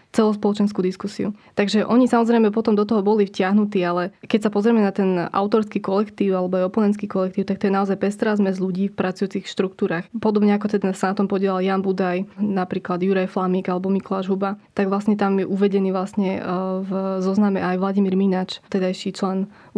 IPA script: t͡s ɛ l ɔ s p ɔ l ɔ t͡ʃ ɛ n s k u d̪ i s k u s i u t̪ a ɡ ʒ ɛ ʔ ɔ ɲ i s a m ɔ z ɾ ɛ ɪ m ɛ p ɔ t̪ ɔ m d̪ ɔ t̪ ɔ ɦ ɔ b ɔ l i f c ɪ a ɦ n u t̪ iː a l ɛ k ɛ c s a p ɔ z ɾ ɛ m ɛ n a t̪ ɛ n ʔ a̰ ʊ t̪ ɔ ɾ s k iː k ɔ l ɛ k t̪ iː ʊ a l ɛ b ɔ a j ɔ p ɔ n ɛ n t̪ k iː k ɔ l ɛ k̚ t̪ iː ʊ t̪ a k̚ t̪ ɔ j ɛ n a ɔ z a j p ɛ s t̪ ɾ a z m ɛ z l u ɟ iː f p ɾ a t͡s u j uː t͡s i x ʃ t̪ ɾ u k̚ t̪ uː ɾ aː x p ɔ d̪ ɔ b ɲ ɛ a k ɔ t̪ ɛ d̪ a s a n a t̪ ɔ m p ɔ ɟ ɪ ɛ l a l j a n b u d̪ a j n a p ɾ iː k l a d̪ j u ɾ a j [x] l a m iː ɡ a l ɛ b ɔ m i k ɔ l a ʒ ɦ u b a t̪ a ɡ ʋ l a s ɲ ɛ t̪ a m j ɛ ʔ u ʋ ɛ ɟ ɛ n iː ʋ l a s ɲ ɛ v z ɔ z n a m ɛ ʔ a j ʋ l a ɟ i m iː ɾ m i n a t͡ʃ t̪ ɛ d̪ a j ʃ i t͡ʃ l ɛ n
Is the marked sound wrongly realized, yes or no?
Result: yes